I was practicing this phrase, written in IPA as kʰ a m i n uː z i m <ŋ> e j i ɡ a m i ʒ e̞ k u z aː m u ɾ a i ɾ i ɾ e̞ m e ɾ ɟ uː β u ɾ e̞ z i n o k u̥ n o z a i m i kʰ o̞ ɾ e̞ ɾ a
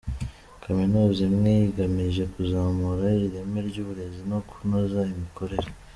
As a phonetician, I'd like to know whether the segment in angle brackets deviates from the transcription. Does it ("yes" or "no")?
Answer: no